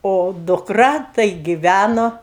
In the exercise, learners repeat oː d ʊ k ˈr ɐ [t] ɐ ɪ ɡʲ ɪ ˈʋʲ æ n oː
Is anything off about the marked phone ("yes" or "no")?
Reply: no